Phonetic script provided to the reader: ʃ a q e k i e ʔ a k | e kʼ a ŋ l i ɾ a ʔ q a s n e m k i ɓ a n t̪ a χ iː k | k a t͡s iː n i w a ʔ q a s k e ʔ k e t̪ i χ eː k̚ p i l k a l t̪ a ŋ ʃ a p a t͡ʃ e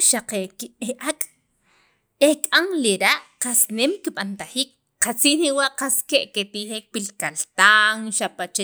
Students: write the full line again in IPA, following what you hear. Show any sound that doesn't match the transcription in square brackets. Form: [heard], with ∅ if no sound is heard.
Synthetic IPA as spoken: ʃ a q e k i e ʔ a [kʼ] | e kʼ a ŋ l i ɾ a ʔ q a s n e m k i ɓ a n t̪ a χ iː k | [q] a t͡s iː n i w a ʔ q a s k e ʔ k e t̪ i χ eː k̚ p i l k a l t̪ a ŋ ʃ a p a t͡ʃ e